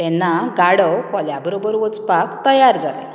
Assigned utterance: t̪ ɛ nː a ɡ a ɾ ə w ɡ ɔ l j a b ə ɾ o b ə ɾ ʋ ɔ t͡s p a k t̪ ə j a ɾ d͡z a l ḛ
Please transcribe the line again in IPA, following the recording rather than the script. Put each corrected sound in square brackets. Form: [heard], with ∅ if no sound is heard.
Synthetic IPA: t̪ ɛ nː a ɡ a [ɽ] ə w [k] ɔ l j a b ə ɾ o b ə ɾ ʋ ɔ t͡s p a k t̪ ə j a ɾ d͡z a l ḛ